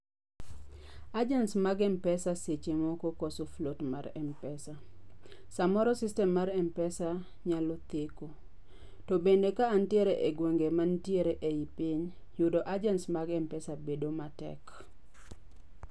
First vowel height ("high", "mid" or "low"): low